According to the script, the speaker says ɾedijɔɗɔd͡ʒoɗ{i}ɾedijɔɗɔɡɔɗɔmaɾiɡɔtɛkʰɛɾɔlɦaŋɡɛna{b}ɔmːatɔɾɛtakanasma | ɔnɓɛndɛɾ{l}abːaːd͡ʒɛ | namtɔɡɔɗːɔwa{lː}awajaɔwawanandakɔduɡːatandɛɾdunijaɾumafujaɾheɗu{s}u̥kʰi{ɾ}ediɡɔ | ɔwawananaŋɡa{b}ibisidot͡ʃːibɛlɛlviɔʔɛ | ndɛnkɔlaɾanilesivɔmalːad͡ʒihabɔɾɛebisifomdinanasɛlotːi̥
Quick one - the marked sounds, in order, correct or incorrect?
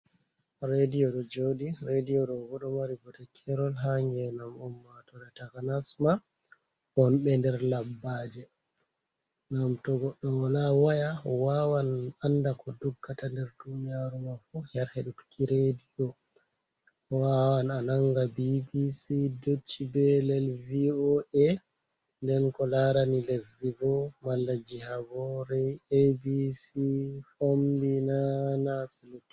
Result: correct, incorrect, correct, incorrect, incorrect, correct, correct

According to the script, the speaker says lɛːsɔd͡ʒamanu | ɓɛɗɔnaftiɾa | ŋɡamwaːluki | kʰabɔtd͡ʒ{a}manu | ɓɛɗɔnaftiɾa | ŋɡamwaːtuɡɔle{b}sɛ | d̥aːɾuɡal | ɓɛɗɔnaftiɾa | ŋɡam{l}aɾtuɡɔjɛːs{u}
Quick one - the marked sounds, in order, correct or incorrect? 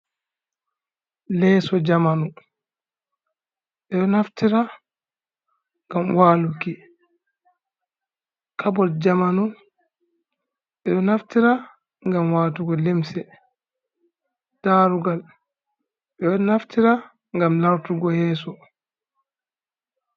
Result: correct, incorrect, correct, incorrect

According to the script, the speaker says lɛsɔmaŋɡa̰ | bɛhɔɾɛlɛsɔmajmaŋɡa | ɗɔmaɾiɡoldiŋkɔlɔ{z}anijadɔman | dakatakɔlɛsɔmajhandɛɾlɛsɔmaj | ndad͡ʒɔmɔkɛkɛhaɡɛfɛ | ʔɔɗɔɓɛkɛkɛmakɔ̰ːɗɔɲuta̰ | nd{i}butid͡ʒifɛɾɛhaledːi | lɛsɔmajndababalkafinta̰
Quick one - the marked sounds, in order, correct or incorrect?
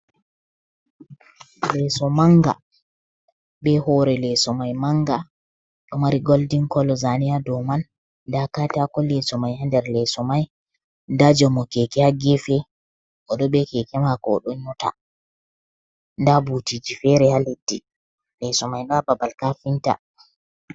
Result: correct, incorrect

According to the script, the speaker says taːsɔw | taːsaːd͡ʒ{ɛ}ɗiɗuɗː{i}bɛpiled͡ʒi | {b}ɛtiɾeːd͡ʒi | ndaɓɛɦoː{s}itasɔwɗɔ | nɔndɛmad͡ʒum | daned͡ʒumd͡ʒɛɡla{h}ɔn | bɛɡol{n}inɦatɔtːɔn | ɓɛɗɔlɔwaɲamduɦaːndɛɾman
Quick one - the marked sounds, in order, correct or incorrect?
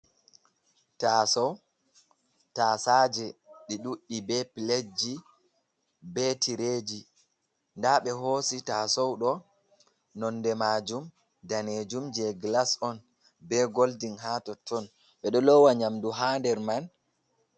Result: correct, correct, correct, correct, incorrect, incorrect

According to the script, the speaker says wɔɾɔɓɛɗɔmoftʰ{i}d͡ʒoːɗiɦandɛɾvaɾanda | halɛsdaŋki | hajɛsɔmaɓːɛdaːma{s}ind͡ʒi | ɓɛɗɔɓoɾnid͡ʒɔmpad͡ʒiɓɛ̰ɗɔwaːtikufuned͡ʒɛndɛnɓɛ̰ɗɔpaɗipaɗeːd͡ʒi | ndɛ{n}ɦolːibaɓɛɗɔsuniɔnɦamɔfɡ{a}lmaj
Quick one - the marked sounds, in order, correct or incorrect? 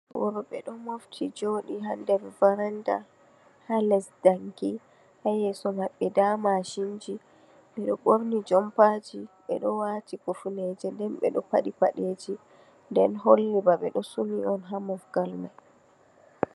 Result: correct, incorrect, correct, correct

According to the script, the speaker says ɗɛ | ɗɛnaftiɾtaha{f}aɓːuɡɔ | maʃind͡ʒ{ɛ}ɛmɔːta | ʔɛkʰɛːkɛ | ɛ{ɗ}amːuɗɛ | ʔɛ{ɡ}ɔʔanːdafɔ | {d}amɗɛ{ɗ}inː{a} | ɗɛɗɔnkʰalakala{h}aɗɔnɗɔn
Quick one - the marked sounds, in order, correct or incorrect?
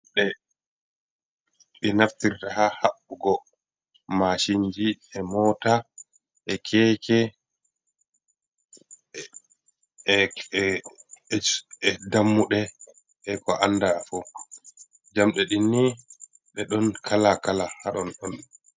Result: incorrect, incorrect, incorrect, incorrect, incorrect, correct, incorrect, correct

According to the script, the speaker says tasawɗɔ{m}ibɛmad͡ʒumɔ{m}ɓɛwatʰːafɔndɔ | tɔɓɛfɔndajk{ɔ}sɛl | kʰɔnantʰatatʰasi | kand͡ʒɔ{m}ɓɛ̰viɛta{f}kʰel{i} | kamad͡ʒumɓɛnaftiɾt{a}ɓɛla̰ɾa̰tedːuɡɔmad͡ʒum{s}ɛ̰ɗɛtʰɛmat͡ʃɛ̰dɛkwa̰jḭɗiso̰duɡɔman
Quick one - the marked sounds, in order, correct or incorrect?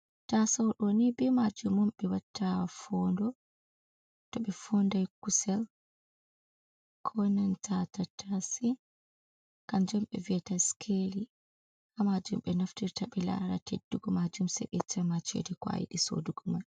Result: incorrect, correct, incorrect, correct, incorrect, correct, correct, correct

